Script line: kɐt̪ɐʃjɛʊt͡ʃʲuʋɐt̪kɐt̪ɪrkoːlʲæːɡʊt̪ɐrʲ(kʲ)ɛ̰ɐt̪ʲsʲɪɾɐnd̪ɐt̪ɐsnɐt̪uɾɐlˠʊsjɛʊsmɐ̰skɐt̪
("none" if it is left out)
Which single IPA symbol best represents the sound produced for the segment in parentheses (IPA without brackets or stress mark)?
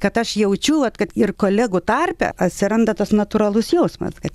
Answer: pʲ